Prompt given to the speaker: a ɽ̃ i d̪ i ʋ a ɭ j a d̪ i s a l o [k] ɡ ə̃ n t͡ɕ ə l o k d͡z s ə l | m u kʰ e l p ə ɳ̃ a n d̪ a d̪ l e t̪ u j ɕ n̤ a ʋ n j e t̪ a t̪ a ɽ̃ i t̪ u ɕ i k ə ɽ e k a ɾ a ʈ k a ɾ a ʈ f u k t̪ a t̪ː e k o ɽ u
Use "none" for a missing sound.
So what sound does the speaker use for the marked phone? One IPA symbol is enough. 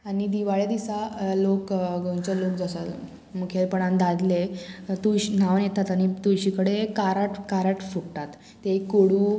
k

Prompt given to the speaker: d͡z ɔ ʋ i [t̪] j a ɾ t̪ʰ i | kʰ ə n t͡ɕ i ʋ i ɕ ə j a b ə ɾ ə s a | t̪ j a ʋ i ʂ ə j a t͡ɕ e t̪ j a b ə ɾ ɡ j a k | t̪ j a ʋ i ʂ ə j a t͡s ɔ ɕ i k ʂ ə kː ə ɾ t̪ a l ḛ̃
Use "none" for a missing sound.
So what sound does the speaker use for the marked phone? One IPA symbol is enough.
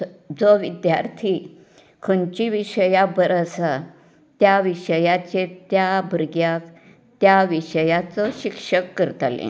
d̪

